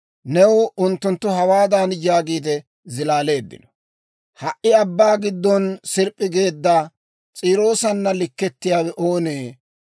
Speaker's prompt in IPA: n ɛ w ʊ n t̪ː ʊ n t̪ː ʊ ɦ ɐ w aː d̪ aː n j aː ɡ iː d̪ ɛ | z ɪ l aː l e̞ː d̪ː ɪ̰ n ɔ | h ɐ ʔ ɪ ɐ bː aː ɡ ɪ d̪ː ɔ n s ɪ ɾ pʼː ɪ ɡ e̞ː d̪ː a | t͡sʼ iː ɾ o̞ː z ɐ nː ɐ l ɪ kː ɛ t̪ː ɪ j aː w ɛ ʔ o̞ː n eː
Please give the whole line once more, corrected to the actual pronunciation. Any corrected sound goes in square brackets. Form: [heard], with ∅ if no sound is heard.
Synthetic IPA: n ɛ w ʊ n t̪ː ʊ n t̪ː ʊ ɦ ɐ w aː d̪ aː n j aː ɡ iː d̪ ɛ | z ɪ l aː l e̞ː d̪ː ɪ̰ n ɔ | h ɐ ʔ ɪ ɐ bː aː ɡ ɪ d̪ː ɔ n s ɪ ɾ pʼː ɪ ɡ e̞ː d̪ː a | t͡sʼ iː ɾ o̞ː [s] ɐ nː ɐ l ɪ kː ɛ t̪ː ɪ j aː w ɛ ʔ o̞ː n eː